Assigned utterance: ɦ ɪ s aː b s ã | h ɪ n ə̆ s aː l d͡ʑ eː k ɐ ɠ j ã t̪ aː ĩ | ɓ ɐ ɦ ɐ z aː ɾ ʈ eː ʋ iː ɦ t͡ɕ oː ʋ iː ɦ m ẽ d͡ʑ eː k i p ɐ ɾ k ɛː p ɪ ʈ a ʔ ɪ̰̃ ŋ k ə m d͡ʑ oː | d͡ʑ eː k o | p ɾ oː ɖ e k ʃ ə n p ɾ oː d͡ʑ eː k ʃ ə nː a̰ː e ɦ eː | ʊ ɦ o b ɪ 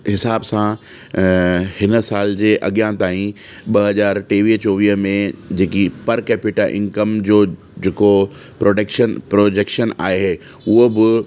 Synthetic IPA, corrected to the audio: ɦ ɪ s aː b s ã | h ɪ n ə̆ s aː l d͡ʑ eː ʔ ɐ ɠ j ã t̪ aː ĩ | ɓ ɐ ɦ ɐ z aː ɾ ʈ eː ʋ iː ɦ t͡ɕ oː ʋ iː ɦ m ẽ d͡ʑ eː k i p ɐ ɾ k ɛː p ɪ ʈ a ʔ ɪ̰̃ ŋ k ə m d͡ʑ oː | d͡ʑ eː k o | p ɾ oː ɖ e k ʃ ə n p ɾ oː d͡ʑ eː k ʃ ə n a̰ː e ɦ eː | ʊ ɦ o b ɪ